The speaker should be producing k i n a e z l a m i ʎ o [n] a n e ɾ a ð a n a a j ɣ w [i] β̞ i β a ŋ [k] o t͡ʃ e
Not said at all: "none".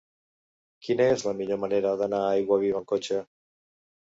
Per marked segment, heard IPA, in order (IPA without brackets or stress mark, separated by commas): m, a, k